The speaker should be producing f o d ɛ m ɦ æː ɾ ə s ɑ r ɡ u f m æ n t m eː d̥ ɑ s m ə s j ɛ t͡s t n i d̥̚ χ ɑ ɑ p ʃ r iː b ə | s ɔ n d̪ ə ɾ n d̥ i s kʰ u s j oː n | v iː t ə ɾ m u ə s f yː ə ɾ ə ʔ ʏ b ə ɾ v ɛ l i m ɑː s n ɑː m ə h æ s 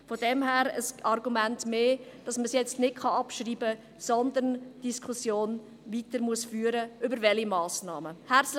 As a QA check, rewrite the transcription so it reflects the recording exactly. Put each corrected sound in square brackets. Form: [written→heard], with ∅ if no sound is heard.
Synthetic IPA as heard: f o d ɛ m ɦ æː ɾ ə s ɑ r ɡ u [f→∅] m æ n t m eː d̥ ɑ s m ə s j ɛ t͡s t n [i→ɪ] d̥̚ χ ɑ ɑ p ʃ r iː b ə | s ɔ n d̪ ə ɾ n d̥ i s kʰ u s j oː n | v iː t ə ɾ m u ə s f yː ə ɾ ə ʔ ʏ b ə ɾ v ɛ l i m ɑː s n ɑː m ə h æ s